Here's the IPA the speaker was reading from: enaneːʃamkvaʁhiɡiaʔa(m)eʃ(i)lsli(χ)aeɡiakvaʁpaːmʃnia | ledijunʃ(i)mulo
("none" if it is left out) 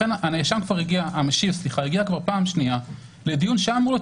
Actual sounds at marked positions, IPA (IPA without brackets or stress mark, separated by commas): m, i, χ, a